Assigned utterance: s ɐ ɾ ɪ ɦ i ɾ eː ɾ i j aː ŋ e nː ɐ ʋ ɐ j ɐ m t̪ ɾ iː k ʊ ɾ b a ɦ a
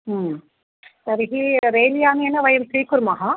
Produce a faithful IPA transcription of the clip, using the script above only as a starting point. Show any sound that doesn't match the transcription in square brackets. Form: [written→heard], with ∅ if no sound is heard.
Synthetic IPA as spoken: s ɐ ɾ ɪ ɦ i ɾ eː [ɾ→l] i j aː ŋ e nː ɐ ʋ ɐ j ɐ m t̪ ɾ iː k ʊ ɾ [b→m] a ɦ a